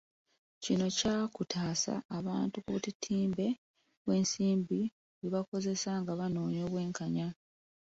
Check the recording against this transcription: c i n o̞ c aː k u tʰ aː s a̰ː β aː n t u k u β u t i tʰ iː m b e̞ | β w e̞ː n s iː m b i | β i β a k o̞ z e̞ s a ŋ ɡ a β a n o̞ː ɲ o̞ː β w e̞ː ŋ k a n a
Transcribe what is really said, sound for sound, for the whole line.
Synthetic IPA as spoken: c i n o̞ c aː k u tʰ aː s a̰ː β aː n t u k u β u t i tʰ iː m b e̞ | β w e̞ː n s iː m b i | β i β a k o̞ z e̞ s a ŋ ɡ a β a n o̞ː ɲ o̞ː β w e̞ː ŋ k a ɲ a